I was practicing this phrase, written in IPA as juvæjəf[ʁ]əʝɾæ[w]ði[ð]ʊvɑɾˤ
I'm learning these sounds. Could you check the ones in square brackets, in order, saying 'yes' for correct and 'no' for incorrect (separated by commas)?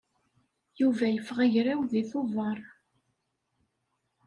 yes, yes, no